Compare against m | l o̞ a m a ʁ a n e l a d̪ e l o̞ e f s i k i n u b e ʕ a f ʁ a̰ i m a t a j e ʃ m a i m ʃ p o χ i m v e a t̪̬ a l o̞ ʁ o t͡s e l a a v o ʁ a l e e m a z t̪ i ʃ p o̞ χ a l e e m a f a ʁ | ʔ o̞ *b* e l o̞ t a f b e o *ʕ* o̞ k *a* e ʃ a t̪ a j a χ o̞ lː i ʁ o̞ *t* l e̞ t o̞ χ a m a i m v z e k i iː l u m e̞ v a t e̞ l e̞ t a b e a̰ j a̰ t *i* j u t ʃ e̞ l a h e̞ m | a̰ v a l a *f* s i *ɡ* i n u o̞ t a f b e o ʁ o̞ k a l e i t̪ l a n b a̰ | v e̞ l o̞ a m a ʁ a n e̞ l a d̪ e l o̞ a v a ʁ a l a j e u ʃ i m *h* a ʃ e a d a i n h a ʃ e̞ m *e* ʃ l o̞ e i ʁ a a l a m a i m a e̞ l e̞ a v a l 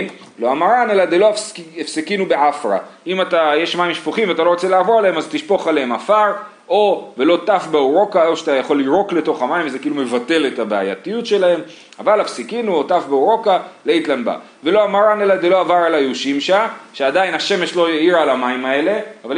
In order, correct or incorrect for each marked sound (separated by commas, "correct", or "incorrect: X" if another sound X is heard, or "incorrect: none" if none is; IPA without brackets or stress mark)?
incorrect: v, incorrect: ʁ, correct, incorrect: k, correct, correct, incorrect: k, incorrect: ʃ, correct